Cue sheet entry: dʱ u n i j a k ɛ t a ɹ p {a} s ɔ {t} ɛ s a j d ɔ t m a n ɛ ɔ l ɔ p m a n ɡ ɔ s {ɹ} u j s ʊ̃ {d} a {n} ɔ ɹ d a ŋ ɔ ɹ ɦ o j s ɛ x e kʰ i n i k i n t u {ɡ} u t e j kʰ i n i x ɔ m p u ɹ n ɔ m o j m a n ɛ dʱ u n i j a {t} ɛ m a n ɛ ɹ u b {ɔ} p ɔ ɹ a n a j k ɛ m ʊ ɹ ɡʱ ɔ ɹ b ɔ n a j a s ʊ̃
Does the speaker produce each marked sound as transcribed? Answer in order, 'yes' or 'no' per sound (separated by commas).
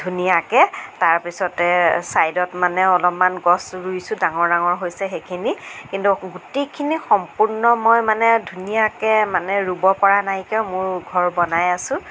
no, yes, yes, yes, no, yes, no, yes